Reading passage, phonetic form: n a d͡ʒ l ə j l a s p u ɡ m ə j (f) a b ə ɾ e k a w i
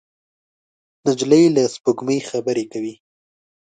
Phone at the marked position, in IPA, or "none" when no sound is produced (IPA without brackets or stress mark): x